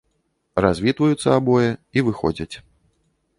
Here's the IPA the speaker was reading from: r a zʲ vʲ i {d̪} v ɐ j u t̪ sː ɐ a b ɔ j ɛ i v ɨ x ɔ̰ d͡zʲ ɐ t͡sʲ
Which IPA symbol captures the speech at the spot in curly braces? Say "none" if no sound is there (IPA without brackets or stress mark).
t̪